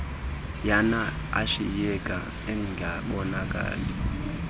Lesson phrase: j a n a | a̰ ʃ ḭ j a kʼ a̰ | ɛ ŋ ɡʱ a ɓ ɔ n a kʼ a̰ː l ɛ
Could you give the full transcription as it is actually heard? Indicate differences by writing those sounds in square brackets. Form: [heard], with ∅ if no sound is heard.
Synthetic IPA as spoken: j a n a | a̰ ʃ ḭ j [ɛ] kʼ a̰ | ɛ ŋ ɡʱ a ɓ ɔ n a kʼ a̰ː l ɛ